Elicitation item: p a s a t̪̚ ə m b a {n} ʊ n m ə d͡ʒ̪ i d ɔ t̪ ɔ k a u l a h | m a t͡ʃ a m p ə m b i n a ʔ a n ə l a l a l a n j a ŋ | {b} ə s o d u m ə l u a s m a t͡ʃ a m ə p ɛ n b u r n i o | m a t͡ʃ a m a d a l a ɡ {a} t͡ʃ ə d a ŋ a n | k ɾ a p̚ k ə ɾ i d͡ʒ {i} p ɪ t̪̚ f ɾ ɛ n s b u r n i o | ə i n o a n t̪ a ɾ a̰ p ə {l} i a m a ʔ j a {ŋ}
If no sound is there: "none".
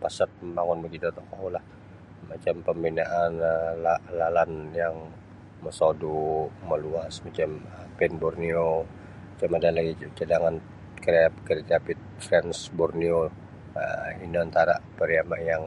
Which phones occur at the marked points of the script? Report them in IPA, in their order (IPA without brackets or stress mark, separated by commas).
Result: ŋ, m, i, a, ɾ, ŋ